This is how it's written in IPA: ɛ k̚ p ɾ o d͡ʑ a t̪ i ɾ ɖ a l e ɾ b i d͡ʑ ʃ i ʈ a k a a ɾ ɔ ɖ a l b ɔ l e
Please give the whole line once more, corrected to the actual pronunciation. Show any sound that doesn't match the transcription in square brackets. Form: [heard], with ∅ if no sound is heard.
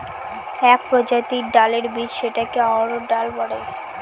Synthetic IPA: ɛ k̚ p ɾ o d͡ʑ a t̪ i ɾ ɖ a l e ɾ b i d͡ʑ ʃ [e] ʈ a k [e] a ɾ [o] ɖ a l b ɔ [ɽ] e